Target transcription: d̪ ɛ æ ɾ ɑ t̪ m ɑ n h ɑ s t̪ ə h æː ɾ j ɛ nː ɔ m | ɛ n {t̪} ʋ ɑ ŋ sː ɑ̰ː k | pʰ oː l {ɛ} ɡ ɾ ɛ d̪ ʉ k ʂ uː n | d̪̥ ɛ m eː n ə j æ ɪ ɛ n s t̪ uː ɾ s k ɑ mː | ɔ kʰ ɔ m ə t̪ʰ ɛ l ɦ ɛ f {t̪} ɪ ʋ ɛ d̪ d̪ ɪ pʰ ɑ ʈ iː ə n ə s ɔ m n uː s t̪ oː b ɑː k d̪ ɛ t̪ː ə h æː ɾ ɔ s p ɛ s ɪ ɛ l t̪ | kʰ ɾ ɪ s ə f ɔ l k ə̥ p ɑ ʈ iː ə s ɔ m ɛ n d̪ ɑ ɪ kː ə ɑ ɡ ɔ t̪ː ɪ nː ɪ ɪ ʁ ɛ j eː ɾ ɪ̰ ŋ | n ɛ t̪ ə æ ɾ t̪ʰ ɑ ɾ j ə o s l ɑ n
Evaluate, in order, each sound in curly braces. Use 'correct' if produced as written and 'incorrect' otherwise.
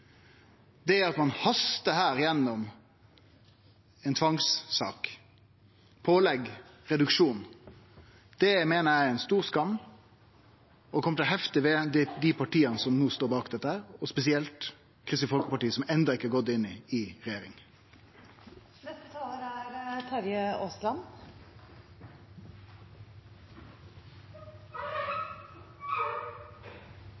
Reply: incorrect, correct, correct

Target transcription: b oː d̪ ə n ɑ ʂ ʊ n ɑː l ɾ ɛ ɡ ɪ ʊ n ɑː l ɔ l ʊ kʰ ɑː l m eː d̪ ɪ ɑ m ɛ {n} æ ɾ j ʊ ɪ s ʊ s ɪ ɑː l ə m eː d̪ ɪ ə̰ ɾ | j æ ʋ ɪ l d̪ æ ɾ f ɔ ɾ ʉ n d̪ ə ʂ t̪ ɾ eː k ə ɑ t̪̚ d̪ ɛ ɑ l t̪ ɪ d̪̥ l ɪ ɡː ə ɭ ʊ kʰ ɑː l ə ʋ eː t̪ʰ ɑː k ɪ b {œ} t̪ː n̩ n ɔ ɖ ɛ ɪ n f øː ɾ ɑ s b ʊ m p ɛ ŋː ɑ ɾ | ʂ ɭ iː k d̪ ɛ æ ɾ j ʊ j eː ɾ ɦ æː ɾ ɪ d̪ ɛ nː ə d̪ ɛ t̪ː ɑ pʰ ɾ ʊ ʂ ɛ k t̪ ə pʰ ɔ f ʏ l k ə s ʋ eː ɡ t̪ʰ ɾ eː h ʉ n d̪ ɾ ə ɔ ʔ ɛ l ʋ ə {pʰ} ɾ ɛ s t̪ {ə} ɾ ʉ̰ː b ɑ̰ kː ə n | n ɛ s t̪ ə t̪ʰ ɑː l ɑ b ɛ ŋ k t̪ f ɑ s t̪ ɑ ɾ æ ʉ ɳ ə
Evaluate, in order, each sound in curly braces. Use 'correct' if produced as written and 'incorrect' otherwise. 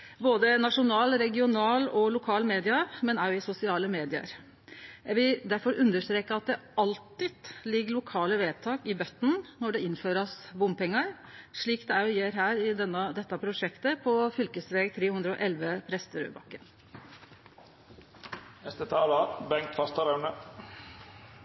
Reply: correct, correct, correct, correct

